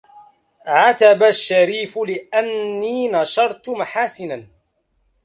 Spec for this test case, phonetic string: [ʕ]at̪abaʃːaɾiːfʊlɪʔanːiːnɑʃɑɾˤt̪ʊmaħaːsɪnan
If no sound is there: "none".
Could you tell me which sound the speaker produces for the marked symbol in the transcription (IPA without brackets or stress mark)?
ʕ